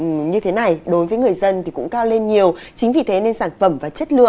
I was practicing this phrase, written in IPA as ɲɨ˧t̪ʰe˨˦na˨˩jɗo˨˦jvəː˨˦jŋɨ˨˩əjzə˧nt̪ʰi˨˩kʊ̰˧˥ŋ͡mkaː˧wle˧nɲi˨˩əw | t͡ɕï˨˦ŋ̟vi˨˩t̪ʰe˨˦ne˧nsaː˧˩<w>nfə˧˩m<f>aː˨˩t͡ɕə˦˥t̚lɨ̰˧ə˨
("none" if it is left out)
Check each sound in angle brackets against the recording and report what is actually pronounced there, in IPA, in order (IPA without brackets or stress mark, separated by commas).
none, v